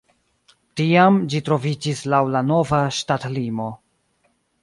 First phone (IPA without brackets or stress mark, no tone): t